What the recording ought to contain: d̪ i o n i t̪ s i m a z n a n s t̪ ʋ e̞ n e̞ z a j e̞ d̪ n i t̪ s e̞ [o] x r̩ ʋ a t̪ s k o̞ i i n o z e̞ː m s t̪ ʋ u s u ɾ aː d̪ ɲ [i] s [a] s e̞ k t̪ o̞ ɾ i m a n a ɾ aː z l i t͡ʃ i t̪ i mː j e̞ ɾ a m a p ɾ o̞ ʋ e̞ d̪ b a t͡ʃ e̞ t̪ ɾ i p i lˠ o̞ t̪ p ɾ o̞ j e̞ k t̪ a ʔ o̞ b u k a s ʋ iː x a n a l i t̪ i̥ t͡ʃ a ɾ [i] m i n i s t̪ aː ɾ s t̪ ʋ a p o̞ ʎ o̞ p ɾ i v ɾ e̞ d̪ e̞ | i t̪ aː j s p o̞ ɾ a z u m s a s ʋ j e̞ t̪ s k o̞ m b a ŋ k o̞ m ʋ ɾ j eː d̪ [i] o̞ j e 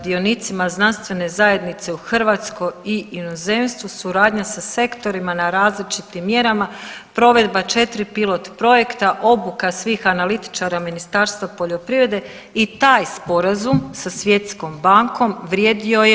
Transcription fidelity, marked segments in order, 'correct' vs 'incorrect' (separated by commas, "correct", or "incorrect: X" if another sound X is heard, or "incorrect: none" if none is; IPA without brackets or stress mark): incorrect: u, incorrect: a, correct, incorrect: a, correct